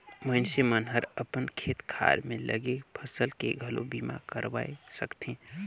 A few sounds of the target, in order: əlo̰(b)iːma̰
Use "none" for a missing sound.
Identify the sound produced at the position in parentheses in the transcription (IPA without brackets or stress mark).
b